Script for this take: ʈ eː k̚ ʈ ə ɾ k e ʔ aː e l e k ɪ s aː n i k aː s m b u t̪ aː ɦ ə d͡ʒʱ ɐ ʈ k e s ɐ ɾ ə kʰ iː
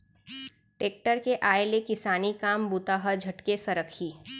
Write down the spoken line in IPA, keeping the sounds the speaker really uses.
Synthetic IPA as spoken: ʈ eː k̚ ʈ ə ɾ k e ʔ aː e l e k ɪ s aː n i k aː m b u t̪ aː ɦ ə d͡ʒʱ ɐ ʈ k e s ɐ ɾ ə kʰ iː